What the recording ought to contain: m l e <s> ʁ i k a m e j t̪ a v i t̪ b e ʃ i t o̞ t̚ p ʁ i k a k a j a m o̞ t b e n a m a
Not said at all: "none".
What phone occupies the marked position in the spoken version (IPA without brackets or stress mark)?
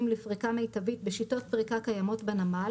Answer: f